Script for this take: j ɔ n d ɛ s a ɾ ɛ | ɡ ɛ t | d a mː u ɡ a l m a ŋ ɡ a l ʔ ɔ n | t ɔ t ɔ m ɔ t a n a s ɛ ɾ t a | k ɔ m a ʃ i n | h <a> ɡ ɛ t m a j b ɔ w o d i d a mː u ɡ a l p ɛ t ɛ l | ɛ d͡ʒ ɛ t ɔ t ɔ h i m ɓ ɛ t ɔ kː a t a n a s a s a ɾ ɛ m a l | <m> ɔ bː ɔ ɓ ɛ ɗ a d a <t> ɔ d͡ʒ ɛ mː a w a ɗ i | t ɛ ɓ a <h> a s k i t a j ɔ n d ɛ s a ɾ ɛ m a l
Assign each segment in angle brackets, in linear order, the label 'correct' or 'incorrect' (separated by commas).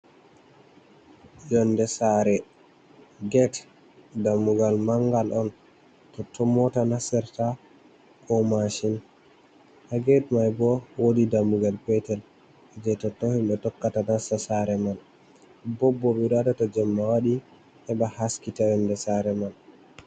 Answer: correct, incorrect, correct, correct